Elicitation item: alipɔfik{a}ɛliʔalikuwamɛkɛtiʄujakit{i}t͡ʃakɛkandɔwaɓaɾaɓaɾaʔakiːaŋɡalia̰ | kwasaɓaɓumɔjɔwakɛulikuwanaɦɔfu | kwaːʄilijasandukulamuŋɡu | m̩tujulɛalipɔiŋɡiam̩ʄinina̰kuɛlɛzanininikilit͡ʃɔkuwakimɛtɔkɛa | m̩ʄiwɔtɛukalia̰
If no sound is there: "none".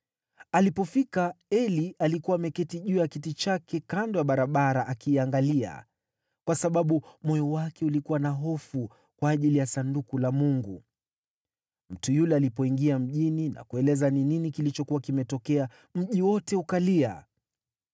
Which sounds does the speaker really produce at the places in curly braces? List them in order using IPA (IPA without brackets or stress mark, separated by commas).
a, i